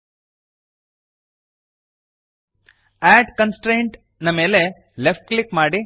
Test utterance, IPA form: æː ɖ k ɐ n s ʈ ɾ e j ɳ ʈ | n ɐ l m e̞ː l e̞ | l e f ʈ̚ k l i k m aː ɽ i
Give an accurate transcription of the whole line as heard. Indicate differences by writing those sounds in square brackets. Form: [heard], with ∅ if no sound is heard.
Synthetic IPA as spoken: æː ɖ k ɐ n s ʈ ɾ e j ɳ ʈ | n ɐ [∅] m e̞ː l e̞ | l e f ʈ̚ k l i k m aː ɽ i